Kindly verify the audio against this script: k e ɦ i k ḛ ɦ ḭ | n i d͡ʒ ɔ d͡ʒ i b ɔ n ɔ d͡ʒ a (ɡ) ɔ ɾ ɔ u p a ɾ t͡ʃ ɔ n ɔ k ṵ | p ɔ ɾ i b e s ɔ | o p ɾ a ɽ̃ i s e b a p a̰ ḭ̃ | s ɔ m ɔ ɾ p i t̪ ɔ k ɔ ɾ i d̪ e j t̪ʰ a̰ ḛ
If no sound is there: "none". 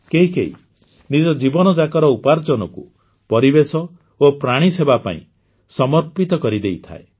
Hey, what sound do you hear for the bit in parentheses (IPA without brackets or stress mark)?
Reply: k